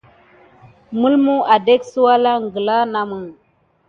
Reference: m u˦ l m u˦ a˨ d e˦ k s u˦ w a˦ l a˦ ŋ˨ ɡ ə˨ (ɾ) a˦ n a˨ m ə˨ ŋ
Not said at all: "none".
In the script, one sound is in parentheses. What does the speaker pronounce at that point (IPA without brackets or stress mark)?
l